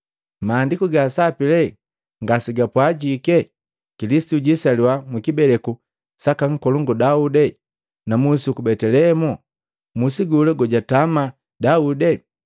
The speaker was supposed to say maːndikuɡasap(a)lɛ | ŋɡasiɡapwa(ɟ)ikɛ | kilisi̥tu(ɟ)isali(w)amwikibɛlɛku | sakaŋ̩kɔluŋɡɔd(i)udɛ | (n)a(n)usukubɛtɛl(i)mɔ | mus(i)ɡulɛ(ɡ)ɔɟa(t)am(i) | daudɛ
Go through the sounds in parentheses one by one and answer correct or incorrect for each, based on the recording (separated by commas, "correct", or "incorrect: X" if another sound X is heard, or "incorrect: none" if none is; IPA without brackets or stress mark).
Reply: incorrect: i, correct, correct, correct, incorrect: a, correct, incorrect: m, incorrect: ɛ, correct, correct, correct, incorrect: a